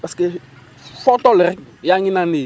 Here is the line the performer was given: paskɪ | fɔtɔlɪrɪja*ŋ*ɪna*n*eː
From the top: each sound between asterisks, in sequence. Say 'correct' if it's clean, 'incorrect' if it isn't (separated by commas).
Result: correct, correct